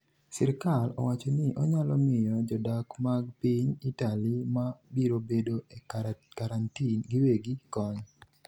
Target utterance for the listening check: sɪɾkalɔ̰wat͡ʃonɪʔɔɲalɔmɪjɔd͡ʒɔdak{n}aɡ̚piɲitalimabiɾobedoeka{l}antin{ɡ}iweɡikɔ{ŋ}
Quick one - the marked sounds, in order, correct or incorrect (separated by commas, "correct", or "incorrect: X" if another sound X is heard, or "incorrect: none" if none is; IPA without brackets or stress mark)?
incorrect: m, incorrect: ɾ, correct, incorrect: ɲ